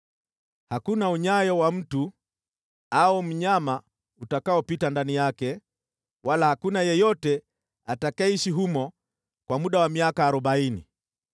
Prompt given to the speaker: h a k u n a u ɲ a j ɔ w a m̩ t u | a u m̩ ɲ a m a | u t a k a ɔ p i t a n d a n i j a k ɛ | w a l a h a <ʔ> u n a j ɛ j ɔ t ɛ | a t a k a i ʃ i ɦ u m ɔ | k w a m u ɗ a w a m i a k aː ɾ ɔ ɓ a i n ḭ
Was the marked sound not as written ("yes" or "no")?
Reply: yes